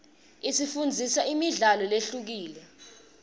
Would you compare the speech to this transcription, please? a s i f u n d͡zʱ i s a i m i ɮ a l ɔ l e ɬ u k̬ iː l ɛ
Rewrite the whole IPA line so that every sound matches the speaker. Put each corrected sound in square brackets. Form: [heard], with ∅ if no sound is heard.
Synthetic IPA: [i] s i f u n d͡zʱ i s a i m i ɮ a l ɔ l e ɬ u k̬ iː l ɛ